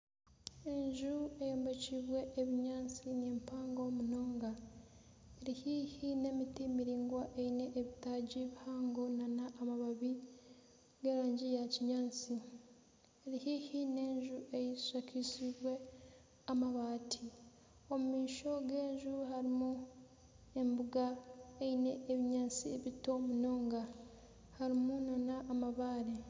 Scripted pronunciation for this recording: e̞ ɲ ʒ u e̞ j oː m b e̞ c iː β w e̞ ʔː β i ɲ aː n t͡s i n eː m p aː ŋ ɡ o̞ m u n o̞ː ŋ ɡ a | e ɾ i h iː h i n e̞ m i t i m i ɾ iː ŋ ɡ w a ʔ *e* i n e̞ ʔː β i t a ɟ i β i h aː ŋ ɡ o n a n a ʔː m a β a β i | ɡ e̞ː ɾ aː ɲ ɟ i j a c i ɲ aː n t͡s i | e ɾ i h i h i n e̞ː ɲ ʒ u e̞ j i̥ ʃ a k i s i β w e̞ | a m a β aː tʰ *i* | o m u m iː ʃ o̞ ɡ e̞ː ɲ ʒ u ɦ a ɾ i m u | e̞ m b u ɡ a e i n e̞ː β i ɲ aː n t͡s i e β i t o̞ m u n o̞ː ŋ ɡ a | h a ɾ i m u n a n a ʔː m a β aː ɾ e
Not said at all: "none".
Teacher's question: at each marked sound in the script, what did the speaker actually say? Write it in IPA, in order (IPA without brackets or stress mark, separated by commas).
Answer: e, i